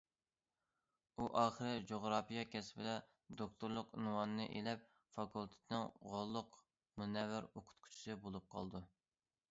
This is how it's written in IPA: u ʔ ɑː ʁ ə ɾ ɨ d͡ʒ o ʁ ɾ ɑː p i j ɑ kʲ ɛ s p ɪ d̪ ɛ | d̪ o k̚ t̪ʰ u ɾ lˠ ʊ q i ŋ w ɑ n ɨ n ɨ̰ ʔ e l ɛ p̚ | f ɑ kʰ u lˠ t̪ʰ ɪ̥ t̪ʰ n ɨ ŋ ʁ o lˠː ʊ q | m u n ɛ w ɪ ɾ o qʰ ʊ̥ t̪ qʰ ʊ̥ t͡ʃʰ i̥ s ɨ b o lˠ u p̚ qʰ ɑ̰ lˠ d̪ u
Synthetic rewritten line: u ʔ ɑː χ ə ɾ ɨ d͡ʒ o ʁ ɾ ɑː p i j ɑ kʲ ɛ s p ɪ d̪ ɛ | d̪ o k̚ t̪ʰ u ɾ lˠ ʊ q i n w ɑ n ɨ n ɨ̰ ʔ e l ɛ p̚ | f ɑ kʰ u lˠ t̪ʰ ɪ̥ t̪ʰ n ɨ ŋ ʁ o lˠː ʊ q | m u n ɛ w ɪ ɾ o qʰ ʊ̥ t̪ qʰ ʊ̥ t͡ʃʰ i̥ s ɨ b o lˠ u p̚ qʰ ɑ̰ lˠ d̪ u